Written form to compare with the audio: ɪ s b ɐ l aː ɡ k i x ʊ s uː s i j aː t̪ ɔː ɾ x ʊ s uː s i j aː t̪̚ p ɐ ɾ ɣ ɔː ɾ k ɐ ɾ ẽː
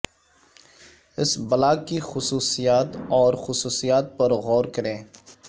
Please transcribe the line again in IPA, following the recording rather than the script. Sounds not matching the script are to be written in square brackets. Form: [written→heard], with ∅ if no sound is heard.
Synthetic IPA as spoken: ɪ s b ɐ l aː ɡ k i x ʊ s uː s i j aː t̪ ɔː ɾ x ʊ s uː s i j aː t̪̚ p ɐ ɾ ɣ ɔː ɾ k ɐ ɾ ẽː